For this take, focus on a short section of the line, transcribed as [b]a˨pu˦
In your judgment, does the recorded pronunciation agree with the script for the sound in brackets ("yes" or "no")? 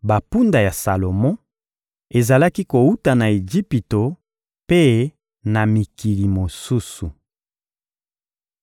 yes